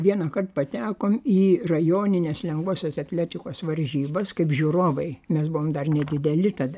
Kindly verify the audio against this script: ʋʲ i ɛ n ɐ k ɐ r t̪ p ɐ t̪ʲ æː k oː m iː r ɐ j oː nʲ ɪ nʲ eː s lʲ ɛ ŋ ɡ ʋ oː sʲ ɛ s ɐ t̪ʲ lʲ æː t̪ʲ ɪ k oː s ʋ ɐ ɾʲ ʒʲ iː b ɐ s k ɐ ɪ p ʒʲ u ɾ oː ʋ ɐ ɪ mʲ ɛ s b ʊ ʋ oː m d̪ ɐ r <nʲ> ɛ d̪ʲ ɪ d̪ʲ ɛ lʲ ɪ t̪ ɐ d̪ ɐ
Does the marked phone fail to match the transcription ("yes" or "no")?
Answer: no